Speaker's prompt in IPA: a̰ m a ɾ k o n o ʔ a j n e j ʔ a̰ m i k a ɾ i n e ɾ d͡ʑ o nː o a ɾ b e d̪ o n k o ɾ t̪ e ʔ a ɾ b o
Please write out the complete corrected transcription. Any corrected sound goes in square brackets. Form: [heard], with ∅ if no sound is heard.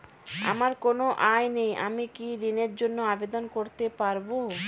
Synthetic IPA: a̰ m a ɾ k o n o ʔ a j n e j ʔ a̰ m i k [i] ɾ i n e ɾ d͡ʑ o nː o a [∅] b e d̪ o n k o ɾ t̪ e [p] a ɾ b o

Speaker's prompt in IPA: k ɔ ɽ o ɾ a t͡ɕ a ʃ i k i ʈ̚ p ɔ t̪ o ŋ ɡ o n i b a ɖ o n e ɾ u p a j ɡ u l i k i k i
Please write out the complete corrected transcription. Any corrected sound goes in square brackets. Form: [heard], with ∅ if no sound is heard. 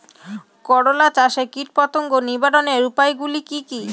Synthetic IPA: k ɔ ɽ o [l] a t͡ɕ a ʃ [e] k i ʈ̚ p ɔ t̪ o ŋ ɡ o n i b a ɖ o n e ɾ u p a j ɡ u l i k i k i

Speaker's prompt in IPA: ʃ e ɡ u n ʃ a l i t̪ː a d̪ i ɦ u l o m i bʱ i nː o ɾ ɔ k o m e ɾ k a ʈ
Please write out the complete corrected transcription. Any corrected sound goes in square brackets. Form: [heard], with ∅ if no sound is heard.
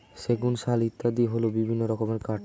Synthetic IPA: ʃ e ɡ u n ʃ a l i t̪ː a d̪ i ɦ [o] l o [b] i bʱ i nː o ɾ ɔ k o m e ɾ k a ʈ

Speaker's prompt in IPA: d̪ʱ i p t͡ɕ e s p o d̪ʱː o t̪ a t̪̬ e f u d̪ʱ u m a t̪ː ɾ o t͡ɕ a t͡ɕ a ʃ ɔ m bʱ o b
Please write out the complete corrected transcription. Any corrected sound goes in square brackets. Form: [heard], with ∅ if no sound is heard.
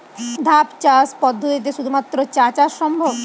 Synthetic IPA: d̪ʱ [a] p t͡ɕ [a] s p [ɔ] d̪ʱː o t̪ [i] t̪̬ e [ʃ] u d̪ʱ u m a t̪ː ɾ o t͡ɕ a t͡ɕ a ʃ ɔ m bʱ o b

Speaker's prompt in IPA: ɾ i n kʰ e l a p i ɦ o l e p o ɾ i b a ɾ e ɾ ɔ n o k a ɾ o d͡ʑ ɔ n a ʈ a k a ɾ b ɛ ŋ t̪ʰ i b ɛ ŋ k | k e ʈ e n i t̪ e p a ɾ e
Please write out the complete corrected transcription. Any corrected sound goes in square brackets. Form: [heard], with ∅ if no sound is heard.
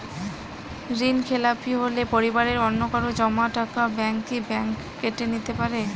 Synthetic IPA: ɾ i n kʰ e l a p i ɦ o l e p o ɾ i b a ɾ e ɾ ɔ [nː] o k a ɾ o d͡ʑ ɔ [m] a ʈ a k a [∅] b ɛ ŋ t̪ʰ i b ɛ ŋ k | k e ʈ e n i t̪ e p a ɾ e

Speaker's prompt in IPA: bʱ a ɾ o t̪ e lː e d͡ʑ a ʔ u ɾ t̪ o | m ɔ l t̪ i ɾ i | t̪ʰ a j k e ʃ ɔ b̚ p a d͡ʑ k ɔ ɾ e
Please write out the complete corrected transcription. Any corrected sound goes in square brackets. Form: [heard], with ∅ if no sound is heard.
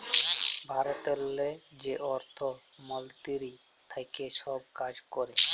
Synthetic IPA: bʱ a ɾ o t̪ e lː e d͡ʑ [e] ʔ [ɔ] ɾ [t̪ʰ] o | m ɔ l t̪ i ɾ i | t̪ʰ a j k e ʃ ɔ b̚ [k] a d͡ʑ k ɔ ɾ e

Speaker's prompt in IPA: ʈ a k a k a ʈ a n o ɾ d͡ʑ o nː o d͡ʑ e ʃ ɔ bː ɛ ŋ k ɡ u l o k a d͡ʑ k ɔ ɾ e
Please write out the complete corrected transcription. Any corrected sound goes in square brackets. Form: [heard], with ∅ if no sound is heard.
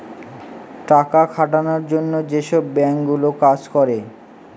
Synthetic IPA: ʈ a k a [kʰ] a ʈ a n o ɾ d͡ʑ o nː o d͡ʑ e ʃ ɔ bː ɛ ŋ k ɡ u l o k a d͡ʑ k ɔ ɾ e

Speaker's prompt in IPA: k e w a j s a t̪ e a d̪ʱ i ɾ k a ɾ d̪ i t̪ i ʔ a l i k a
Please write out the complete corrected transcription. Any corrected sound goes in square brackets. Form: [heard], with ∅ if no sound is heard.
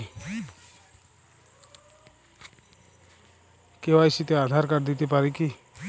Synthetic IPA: k e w a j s [i] t̪ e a d̪ʱ [a] ɾ k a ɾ d̪ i t̪ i [p] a [ɾ] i k [i]

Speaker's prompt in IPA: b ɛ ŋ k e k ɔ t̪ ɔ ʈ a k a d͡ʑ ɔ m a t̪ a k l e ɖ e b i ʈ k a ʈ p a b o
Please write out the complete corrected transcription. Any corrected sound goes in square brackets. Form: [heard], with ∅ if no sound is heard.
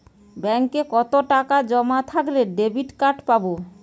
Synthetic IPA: b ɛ ŋ k e k ɔ t̪ [o] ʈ a k a d͡ʑ ɔ m a [t̪ʰ] a k l e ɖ e b i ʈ k a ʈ p a b o

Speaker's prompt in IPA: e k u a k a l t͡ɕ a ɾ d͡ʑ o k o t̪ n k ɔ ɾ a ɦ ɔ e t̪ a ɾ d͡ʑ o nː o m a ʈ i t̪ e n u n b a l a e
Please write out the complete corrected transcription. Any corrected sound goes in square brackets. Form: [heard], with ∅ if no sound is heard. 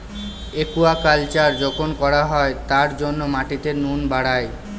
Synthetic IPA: e k u a k a l t͡ɕ a ɾ d͡ʑ o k o [∅] n k ɔ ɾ a ɦ ɔ e t̪ a ɾ d͡ʑ o nː o m a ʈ i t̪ e n u n b a [ɽ] a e

